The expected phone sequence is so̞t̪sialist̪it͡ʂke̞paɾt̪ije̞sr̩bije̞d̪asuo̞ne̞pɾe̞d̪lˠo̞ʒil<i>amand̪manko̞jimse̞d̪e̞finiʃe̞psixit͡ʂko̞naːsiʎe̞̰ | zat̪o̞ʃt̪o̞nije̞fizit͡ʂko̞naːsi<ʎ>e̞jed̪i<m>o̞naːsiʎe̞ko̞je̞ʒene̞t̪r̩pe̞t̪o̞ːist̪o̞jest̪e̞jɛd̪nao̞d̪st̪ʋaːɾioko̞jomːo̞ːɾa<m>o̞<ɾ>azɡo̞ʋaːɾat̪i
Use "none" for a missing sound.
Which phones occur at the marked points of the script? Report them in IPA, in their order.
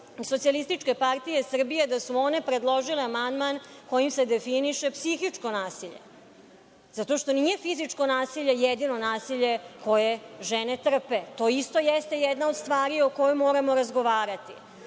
e, ʎ, n, m, ɾ

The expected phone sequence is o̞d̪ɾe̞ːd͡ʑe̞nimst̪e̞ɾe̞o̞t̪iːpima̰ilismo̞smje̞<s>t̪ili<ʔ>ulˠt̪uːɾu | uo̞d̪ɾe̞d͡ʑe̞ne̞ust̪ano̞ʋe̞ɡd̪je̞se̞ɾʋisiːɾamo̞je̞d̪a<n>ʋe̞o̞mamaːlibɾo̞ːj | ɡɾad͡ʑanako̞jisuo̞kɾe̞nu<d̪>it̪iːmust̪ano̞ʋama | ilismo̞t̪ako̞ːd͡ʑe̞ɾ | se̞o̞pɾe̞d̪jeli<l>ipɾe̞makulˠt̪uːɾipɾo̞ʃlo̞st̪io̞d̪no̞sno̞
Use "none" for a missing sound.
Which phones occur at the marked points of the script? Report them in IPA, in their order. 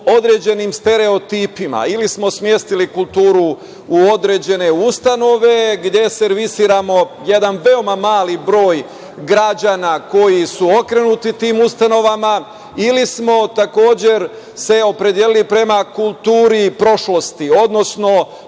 s, k, n, t̪, l

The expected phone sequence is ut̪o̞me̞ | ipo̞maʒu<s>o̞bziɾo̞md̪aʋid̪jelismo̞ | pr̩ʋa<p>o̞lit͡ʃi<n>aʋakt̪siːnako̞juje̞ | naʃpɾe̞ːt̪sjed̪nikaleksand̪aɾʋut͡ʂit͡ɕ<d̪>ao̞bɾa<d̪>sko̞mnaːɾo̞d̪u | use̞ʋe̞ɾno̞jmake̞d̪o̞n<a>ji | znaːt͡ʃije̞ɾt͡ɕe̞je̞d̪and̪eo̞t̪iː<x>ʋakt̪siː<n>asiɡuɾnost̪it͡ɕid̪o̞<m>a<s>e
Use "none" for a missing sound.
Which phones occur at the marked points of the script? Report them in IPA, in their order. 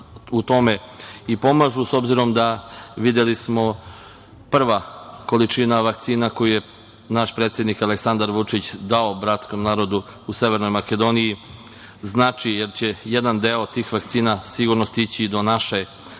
s, k, n, d̪, t̪, i, x, n, n, ʃ

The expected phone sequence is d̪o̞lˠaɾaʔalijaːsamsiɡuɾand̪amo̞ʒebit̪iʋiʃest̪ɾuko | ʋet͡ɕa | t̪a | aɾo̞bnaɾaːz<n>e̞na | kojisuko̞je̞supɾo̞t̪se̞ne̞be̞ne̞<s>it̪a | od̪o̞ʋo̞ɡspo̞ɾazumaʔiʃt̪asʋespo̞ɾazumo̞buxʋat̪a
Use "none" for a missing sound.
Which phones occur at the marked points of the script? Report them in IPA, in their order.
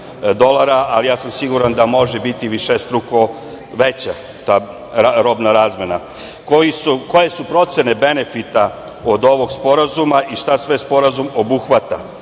m, f

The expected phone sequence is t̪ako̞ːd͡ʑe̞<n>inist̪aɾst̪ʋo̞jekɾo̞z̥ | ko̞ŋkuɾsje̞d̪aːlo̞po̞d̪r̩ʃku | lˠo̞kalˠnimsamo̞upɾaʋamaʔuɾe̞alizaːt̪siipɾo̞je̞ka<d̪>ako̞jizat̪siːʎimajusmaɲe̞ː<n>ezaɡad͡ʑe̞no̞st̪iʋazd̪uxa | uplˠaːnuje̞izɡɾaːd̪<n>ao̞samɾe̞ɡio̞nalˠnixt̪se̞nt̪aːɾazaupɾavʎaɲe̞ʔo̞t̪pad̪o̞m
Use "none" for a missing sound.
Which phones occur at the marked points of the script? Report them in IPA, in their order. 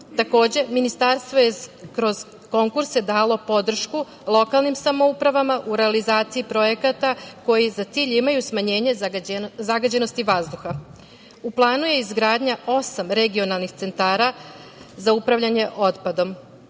m, t̪, ɲ, ɲ

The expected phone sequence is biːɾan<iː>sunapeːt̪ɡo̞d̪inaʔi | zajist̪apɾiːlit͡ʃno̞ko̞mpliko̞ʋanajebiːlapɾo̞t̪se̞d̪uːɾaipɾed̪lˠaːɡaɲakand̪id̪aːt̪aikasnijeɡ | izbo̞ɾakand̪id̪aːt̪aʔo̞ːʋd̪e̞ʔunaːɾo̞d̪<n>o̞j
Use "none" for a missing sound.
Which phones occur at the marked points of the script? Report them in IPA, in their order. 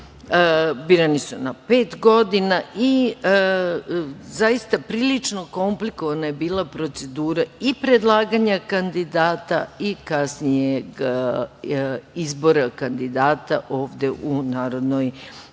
i, n

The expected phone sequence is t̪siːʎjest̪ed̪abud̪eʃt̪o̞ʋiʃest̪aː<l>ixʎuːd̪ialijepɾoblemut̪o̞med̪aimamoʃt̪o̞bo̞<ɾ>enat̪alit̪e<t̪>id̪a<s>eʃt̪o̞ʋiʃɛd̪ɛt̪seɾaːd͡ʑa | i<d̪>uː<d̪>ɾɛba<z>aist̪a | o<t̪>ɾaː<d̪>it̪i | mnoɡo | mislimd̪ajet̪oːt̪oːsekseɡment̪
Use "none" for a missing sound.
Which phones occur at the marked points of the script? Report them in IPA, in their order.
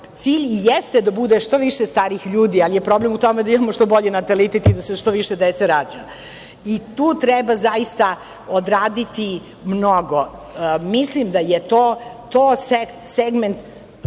ɾ, ʎ, t̪, s, t̪, t̪, z, d̪, d̪

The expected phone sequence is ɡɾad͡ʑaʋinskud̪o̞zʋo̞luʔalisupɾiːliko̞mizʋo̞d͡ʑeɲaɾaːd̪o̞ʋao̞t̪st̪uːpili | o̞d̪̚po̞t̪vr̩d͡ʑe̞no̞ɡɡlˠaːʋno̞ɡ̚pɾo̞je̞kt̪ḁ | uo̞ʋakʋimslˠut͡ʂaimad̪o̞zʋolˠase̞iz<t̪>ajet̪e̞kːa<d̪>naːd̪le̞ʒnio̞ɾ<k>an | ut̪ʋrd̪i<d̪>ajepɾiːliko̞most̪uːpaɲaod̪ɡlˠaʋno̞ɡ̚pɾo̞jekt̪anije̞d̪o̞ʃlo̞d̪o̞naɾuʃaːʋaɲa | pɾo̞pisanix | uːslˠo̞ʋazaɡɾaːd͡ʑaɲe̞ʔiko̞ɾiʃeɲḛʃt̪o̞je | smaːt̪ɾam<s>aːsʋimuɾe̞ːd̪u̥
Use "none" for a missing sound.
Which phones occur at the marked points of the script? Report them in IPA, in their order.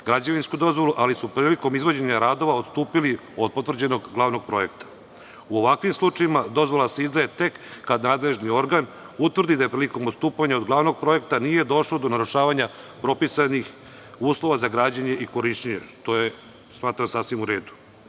d̪, d̪, ɡ, d̪, s

